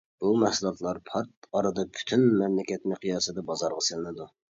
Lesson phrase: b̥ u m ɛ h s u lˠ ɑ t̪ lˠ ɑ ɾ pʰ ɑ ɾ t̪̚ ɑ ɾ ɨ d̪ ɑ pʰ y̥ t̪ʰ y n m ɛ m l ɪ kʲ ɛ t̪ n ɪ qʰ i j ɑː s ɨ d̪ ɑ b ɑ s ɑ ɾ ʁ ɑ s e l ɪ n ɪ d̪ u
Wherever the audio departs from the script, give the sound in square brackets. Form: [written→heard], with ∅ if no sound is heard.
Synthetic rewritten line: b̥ u m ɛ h s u lˠ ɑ t̪ lˠ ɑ ɾ pʰ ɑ ɾ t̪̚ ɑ ɾ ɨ d̪ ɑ pʰ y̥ t̪ʰ y n m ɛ m l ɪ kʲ ɛ t̪ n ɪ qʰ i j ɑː s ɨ d̪ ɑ b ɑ [s→z] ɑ ɾ ʁ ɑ s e l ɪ n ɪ d̪ u